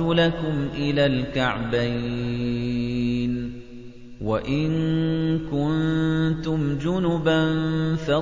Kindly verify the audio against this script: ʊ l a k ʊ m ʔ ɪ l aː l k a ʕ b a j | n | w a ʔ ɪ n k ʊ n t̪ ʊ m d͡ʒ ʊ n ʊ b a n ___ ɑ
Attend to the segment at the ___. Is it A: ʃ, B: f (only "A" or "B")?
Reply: B